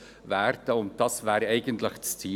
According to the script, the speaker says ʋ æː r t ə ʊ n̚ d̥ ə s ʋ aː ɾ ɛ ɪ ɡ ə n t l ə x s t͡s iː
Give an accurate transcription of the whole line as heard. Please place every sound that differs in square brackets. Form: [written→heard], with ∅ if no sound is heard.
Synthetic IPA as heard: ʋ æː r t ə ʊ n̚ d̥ [ə→ɑ] s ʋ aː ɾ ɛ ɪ ɡ ə n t l ə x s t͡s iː